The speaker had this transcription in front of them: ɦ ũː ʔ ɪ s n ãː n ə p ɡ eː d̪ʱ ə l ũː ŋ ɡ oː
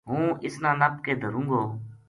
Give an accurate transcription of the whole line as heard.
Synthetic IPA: ɦ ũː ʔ ɪ s n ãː n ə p k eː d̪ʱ ə ɾ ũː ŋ ɡ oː